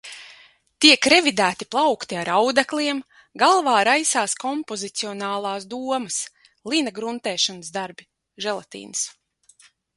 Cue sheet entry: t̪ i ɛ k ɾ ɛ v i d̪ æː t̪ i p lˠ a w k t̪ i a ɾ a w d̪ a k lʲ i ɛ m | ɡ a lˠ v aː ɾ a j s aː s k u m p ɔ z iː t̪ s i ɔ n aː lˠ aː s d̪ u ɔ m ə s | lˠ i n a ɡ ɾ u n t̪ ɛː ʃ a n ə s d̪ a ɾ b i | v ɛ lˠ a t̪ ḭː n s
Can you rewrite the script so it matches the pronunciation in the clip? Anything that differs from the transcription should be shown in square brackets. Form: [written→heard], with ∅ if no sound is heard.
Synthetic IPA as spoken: t̪ i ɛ k ɾ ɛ v i d̪ æː t̪ i p lˠ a w k t̪ i a ɾ a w d̪ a k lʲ i ɛ m | ɡ a lˠ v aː ɾ a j s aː s k [u→ɔ] m p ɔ z [iː→i] t̪ s i ɔ n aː lˠ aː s d̪ u ɔ m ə s | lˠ i n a ɡ ɾ u n t̪ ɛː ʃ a n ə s d̪ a ɾ b i | [v→ʒ] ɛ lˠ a t̪ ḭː n s

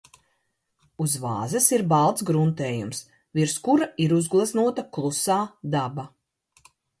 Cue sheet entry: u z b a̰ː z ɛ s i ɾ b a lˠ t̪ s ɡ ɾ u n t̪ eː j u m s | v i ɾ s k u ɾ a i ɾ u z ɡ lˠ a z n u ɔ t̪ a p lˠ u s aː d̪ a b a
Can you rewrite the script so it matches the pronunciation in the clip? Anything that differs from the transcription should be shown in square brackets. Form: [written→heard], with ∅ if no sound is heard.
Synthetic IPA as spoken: u z [b→v] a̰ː z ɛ s i ɾ b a lˠ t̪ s ɡ ɾ u n t̪ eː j u m s | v i ɾ s k u ɾ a i ɾ u z ɡ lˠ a z n u ɔ t̪ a [p→k] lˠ u s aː d̪ a b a

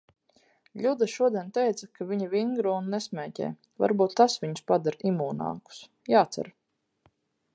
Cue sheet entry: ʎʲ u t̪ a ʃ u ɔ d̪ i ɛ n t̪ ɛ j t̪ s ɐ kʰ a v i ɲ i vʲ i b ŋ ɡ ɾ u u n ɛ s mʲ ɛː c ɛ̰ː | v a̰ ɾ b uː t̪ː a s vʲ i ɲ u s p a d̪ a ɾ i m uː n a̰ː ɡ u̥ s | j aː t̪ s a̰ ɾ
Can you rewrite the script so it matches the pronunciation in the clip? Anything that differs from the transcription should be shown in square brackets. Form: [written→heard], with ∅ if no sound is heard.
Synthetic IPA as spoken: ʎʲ u [t̪→d̪] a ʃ u ɔ d̪ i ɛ n t̪ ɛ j t̪ s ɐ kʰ a v i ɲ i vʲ i [b→∅] ŋ ɡ ɾ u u [n→nː] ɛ s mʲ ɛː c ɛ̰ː | v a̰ ɾ b uː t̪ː a s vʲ i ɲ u s p a d̪ a ɾ i m uː n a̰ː [ɡ→k] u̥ s | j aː t̪ s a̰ ɾ

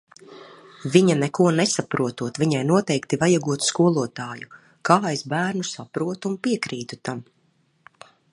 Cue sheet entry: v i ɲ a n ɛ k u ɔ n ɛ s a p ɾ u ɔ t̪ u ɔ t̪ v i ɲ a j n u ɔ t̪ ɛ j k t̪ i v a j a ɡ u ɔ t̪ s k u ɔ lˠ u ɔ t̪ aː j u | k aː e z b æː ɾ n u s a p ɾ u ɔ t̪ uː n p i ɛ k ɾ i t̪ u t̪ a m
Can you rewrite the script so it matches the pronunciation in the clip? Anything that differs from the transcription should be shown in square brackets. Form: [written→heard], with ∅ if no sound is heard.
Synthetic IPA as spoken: v i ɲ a n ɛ k u ɔ n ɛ s a p ɾ u ɔ t̪ u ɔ t̪ v i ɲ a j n u ɔ t̪ ɛ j k t̪ i v a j a ɡ u ɔ t̪ s k u ɔ lˠ u ɔ t̪ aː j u | k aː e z b æː ɾ n u s a p ɾ u ɔ t̪ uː n p i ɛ k ɾ [i→iː] t̪ u t̪ a m

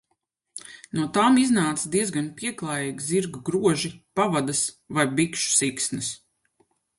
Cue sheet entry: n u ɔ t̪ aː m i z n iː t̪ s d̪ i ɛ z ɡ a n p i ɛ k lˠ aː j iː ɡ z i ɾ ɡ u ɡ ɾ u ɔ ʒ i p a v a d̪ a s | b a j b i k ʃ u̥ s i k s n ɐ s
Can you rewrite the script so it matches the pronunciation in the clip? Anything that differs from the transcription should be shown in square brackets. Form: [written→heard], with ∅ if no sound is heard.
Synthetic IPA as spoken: n u ɔ t̪ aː m i z n [iː→aː] t̪ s d̪ i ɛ z ɡ a n p i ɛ k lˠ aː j iː ɡ z i ɾ ɡ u ɡ ɾ u ɔ ʒ i p a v a d̪ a s | [b→v] a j b i k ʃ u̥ s i k s n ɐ s

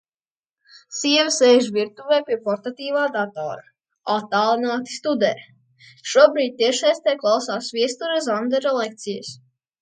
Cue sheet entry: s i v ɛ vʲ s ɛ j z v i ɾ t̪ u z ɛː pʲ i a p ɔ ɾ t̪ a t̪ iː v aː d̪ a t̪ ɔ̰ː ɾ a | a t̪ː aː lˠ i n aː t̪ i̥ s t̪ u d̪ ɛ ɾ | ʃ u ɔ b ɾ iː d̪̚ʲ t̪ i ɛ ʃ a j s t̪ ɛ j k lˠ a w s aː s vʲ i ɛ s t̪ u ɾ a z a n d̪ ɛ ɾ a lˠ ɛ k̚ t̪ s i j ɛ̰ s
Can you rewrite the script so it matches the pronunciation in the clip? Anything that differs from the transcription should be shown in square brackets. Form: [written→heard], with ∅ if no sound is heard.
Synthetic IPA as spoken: s i [v→∅] ɛ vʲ s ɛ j [z→ʒ] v i ɾ t̪ u [z→v] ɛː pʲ i [a→ɛ] p ɔ ɾ t̪ a t̪ iː v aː d̪ a t̪ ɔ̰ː ɾ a | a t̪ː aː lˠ i n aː t̪ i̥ s t̪ u d̪ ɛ ɾ | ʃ u ɔ b ɾ iː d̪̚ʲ t̪ i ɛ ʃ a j s t̪ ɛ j k lˠ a w s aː s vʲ i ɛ s t̪ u ɾ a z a n d̪ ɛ ɾ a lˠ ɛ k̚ t̪ s i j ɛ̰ s

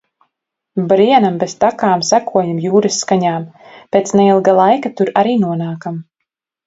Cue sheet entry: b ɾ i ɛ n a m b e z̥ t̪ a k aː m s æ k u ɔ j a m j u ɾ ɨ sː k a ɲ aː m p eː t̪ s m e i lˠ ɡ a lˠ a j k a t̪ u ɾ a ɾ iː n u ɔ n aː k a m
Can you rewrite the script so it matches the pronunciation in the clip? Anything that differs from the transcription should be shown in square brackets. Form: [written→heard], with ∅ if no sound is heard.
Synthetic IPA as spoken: b ɾ i ɛ n a m b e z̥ t̪ a k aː m s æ k u ɔ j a m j [u→uː] ɾ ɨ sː k a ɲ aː m p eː t̪ s [m→n] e i lˠ ɡ a lˠ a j k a t̪ u ɾ a ɾ iː n u ɔ n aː k a m

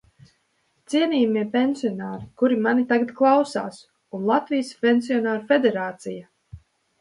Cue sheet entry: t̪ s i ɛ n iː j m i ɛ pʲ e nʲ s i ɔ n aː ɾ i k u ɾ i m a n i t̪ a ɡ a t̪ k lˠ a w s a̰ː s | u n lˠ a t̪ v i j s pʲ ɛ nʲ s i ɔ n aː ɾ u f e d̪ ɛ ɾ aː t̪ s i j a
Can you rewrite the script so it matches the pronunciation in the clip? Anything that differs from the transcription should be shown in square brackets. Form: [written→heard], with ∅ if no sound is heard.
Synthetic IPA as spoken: t̪ s i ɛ n iː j m i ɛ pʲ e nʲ s i ɔ n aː ɾ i k u ɾ i m a n i t̪ a ɡ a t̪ k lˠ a w s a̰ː s | u n lˠ a t̪ v i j s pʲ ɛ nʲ s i ɔ n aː ɾ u f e d̪ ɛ ɾ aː t̪ s i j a

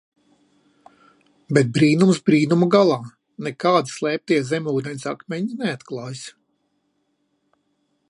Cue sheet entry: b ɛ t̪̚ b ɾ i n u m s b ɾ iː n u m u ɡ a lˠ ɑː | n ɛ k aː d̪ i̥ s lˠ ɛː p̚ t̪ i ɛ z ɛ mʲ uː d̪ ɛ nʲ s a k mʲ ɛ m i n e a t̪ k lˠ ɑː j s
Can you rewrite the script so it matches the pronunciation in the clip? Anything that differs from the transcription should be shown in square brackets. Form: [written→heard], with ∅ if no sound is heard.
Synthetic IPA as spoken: b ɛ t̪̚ b ɾ [i→iː] n u m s b ɾ iː n u m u ɡ a lˠ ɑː | n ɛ k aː d̪ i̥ s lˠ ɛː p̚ t̪ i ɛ z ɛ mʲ uː d̪ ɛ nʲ s a k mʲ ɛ [m→ɲ] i n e a t̪ k lˠ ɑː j s

